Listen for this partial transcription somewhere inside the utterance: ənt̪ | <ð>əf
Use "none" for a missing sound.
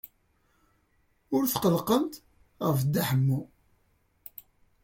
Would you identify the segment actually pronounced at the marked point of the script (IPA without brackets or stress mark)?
ʁ